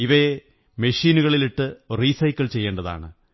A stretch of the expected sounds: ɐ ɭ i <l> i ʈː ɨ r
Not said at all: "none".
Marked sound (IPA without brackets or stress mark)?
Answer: l